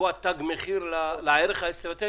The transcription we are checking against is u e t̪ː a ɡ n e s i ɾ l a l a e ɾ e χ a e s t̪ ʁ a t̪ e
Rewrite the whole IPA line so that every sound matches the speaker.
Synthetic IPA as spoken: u a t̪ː a ɡ m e χ i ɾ l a l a e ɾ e χ a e s t̪ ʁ a t̪ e